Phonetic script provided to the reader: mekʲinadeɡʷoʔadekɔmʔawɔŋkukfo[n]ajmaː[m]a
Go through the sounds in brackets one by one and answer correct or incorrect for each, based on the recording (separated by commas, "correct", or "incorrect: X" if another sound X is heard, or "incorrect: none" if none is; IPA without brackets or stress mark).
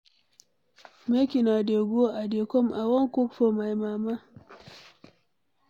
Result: incorrect: m, correct